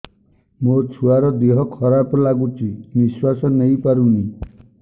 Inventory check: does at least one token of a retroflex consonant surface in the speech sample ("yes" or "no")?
no